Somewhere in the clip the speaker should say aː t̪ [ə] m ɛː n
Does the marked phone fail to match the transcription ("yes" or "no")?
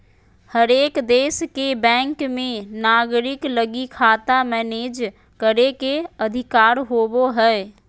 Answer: yes